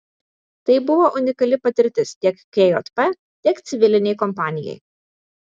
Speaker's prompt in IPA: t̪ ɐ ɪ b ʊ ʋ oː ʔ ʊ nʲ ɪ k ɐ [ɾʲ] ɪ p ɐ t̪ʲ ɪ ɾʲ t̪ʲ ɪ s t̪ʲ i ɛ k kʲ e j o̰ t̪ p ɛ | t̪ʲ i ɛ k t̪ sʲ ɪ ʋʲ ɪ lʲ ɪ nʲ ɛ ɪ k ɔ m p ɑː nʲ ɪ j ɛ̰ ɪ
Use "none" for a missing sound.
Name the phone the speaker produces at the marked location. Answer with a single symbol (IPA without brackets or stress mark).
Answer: lʲ